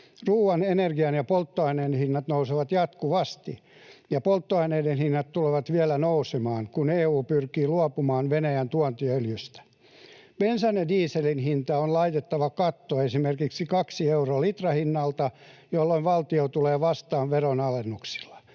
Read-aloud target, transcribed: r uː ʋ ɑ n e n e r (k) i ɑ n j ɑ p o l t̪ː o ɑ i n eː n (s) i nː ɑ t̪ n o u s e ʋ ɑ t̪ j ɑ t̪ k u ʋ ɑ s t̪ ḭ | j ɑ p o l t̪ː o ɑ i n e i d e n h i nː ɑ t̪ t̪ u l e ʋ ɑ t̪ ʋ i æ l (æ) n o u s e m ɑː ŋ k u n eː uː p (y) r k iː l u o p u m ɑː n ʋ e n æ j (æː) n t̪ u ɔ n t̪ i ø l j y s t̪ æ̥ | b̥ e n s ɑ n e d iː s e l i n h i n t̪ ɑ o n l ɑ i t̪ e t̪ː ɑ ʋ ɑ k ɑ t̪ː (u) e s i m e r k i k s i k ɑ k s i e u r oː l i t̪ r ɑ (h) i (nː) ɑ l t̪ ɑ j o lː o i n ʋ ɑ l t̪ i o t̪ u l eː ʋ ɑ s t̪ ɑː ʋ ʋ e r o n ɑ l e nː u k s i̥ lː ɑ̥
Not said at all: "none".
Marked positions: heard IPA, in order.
ɡ, h, æ, y, æ, o, h, nː

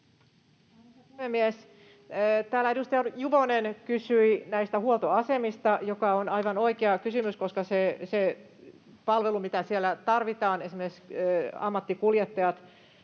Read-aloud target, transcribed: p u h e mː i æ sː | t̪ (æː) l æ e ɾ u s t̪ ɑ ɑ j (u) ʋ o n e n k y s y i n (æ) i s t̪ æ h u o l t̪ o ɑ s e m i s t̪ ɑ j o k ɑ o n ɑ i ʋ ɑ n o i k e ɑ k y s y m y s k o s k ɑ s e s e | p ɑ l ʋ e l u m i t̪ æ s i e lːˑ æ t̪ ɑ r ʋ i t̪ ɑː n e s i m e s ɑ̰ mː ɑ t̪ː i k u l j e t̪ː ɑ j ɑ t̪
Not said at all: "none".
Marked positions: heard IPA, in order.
æː, u, æ

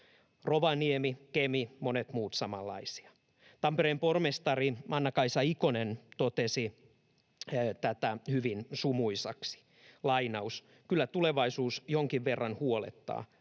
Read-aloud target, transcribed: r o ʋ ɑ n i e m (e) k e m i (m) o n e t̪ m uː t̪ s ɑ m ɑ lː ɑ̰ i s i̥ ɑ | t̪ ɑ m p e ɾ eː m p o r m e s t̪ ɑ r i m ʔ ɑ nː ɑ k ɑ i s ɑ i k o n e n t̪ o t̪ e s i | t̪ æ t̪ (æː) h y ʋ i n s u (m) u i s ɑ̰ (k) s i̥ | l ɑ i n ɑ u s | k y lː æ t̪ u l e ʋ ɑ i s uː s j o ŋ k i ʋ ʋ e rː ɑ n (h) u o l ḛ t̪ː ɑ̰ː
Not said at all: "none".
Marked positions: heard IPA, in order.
i, m, æ, m, k, h

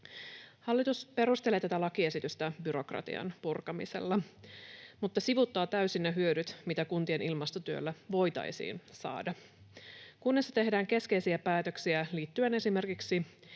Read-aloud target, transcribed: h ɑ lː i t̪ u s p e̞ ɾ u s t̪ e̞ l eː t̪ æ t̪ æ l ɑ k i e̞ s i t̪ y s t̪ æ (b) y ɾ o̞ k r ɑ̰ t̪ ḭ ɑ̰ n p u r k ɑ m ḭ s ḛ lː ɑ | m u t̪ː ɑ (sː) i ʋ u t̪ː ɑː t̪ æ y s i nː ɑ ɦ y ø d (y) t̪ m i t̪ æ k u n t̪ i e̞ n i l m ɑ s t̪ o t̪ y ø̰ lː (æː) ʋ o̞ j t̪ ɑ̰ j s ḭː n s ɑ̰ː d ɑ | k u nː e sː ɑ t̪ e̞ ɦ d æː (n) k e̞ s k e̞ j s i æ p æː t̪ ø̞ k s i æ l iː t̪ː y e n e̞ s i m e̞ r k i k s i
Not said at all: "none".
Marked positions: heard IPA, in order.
b, s, y, æ, ŋ

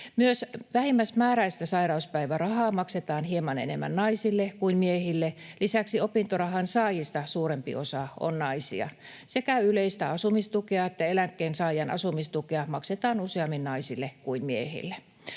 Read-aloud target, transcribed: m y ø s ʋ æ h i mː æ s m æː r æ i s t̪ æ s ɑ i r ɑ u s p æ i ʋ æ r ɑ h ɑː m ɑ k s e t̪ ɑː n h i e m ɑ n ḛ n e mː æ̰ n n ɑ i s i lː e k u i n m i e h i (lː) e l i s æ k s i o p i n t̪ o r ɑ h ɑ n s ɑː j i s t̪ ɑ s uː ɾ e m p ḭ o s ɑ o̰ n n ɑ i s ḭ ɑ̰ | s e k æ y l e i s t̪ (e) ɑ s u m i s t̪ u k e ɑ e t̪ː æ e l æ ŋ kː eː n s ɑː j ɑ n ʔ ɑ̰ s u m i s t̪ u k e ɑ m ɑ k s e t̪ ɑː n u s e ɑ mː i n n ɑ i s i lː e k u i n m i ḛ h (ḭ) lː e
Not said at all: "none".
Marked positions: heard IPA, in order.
lː, æ, ḭ

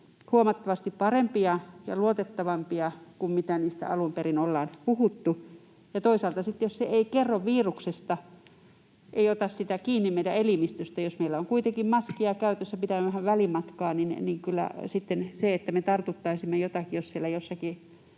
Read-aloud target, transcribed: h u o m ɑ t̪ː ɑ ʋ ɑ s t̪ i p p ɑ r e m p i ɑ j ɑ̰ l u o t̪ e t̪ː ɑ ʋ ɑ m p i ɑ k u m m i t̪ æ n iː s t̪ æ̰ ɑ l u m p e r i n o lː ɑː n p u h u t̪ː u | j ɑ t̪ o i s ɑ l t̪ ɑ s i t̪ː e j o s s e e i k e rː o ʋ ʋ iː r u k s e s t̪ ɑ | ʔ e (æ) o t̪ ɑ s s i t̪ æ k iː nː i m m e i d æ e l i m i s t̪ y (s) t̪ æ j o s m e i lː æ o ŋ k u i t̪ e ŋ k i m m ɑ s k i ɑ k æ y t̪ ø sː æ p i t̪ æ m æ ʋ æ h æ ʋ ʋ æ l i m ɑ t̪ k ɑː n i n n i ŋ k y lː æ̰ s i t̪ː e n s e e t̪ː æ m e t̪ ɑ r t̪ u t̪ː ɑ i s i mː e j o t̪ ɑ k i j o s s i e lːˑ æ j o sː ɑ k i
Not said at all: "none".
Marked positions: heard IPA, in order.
i, s

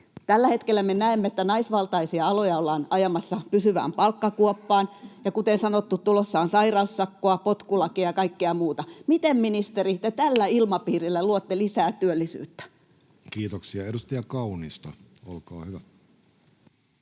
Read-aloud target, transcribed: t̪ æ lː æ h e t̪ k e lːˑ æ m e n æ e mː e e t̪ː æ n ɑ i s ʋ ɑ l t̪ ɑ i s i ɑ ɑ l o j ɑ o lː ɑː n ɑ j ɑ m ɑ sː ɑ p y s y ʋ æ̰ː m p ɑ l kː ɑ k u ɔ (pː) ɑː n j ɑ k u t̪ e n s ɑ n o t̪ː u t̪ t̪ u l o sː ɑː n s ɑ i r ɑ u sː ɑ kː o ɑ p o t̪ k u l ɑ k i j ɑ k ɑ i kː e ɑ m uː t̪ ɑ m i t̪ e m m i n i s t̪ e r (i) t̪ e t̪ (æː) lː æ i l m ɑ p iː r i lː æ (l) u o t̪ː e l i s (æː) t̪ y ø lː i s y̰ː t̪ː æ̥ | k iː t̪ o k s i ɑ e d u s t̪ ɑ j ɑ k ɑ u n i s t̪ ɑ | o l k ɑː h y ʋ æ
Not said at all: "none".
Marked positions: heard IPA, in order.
pː, i, æ, l, æː

